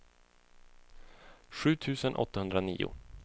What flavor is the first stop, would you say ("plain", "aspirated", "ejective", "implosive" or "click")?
aspirated